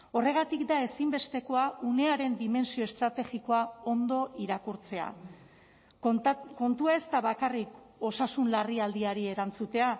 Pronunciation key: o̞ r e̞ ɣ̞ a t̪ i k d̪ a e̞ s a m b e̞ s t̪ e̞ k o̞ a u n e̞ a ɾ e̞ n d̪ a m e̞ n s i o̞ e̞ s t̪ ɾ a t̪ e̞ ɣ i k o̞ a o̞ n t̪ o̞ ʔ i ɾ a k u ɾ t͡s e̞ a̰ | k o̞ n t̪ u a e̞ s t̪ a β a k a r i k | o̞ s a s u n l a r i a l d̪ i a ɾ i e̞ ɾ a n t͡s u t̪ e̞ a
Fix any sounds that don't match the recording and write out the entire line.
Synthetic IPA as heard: o̞ r e̞ ɣ̞ a t̪ i k d̪ a e̞ s i m b e̞ s t̪ e̞ k o̞ a u n e̞ a ɾ e̞ n d̪ i m e̞ n s i o̞ e̞ s t̪ ɾ a t̪ e̞ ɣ i k o̞ a o̞ n d̪ o̞ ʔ i ɾ a k u ɾ t͡s e̞ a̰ | k o̞ n t̪ u a e̞ s t̪ a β a k a r i k | o̞ s a s u n l a r i a l d̪ i a ɾ i e̞ ɾ a n t͡s u t̪ e̞ a